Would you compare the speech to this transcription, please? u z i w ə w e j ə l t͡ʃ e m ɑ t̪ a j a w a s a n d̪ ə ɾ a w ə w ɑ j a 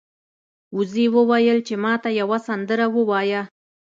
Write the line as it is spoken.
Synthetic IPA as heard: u z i w ə w a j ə l t͡ʃ e m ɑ t̪ a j a w a s a n d̪ ə ɾ a w ə w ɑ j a